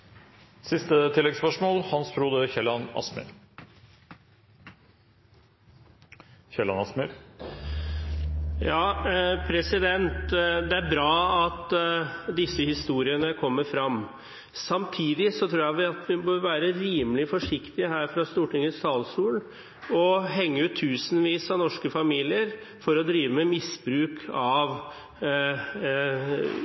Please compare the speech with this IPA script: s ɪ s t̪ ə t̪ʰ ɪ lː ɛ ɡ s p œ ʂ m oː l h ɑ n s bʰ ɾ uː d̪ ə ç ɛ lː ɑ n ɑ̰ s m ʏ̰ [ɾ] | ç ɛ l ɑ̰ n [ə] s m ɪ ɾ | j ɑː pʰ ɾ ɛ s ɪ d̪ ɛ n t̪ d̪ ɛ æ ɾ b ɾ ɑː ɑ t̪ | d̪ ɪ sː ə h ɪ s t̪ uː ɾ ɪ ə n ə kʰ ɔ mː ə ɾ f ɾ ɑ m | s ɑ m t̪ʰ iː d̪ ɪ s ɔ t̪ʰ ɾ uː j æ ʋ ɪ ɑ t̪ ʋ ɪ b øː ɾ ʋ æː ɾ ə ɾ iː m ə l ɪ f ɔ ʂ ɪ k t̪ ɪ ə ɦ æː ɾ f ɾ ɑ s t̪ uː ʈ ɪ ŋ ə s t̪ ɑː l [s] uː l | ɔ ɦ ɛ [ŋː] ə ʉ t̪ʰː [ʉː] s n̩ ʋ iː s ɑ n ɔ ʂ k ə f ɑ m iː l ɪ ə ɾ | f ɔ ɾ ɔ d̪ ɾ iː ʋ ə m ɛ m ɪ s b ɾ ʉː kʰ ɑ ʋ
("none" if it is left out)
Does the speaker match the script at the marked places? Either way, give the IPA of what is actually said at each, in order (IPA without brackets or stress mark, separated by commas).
ɾ, ɑ, s, ŋː, ʉː